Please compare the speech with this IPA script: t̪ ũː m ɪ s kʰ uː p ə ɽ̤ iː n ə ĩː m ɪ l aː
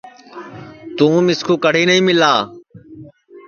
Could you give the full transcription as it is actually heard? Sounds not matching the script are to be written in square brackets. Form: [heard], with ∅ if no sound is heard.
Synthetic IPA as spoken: t̪ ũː m ɪ s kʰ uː [k] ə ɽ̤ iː n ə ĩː m ɪ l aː